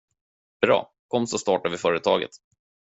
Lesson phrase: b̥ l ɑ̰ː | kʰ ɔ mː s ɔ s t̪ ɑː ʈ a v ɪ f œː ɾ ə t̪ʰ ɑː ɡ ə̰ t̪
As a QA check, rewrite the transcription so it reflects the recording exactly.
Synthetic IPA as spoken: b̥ ɾ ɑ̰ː | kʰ ɔ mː s ɔ s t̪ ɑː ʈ a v ɪ f œː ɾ ə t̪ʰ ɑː ɡ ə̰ t̪